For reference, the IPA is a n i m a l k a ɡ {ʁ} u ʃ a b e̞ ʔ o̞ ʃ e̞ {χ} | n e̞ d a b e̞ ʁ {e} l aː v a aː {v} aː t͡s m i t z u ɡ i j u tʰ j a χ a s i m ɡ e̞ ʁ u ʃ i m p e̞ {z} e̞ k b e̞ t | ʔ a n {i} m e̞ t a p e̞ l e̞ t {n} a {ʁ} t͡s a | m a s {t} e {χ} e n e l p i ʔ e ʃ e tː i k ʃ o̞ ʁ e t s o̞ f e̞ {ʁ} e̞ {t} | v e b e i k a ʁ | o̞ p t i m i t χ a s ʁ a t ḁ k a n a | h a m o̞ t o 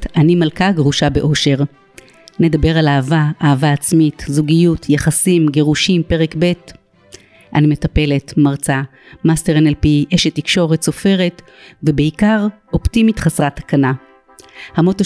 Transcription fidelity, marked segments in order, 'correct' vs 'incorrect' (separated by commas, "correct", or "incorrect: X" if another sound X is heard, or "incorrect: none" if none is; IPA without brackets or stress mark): correct, incorrect: ʁ, incorrect: a, correct, incorrect: ʁ, correct, incorrect: m, correct, correct, incorrect: ʁ, correct, correct